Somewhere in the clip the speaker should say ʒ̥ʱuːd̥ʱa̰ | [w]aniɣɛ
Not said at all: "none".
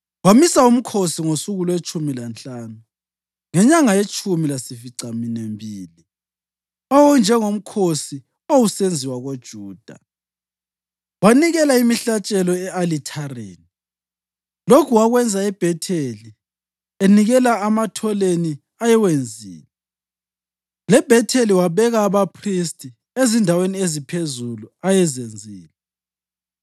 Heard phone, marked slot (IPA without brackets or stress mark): w